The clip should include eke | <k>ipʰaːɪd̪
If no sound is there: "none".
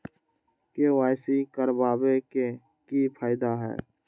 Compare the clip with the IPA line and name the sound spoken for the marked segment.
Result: k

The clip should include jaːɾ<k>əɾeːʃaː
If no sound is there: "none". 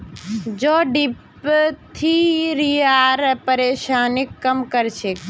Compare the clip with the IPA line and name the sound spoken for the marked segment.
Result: p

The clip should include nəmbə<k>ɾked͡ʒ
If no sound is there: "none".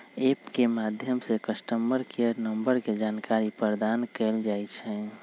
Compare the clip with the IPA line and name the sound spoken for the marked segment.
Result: none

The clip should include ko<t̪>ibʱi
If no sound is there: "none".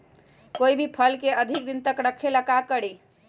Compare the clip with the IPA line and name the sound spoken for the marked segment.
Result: none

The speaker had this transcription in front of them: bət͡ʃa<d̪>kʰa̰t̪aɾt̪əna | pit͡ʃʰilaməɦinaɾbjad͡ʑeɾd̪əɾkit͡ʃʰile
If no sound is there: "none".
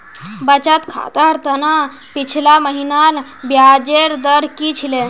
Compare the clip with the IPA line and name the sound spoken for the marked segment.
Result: t̪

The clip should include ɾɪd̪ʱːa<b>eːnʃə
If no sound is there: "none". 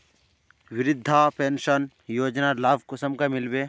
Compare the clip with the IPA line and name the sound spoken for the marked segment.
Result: p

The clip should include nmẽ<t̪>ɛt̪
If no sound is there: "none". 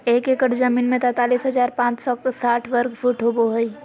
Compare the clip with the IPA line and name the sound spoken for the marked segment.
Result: t̪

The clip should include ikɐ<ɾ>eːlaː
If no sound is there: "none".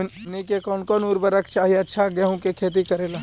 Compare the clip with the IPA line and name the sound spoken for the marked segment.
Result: ɾ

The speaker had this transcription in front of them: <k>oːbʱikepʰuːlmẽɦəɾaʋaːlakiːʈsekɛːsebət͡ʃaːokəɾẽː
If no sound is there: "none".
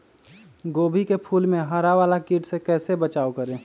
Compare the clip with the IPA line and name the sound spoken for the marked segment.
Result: ɡ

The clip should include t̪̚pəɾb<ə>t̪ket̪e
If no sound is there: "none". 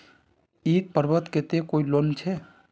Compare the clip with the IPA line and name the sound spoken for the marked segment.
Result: ə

